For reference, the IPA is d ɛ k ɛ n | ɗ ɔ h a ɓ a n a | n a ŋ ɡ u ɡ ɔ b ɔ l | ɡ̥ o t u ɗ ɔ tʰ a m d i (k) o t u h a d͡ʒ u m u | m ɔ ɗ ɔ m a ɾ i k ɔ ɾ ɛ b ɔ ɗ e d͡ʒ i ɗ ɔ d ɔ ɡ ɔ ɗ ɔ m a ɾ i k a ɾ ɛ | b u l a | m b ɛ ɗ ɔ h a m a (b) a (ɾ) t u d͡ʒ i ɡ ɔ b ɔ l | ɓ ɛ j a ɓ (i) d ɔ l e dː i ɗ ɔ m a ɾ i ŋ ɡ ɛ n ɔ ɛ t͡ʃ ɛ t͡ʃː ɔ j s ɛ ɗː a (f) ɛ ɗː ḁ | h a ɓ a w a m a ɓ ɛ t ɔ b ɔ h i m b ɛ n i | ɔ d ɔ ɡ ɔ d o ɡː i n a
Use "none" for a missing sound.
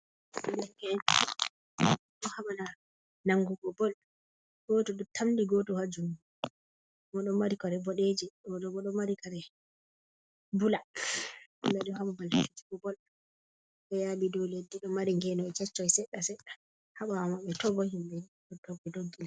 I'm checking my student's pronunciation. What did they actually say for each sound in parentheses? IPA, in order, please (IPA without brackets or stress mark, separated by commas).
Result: ɡ, b, l, i, s